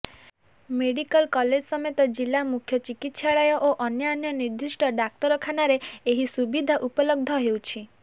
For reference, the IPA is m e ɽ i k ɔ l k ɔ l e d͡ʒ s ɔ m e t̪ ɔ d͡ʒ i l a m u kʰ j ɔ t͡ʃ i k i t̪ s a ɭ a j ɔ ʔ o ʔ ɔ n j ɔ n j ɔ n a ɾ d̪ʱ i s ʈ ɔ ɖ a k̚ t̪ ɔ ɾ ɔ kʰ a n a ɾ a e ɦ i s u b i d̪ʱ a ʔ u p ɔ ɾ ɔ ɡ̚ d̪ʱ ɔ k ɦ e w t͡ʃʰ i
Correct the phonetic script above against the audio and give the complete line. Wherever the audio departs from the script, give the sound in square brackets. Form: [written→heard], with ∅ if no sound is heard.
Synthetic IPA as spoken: m e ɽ i k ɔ l k ɔ l e d͡ʒ s ɔ m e t̪ ɔ d͡ʒ i l a m u kʰ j ɔ t͡ʃ i k i t̪ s a ɭ a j ɔ ʔ o ʔ ɔ n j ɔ n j ɔ n [a→i] ɾ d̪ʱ i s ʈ ɔ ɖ a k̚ t̪ ɔ ɾ ɔ kʰ a n a ɾ [a→e] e ɦ i s u b i d̪ʱ a ʔ u p ɔ [ɾ→l] ɔ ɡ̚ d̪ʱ ɔ [k→∅] ɦ e w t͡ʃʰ i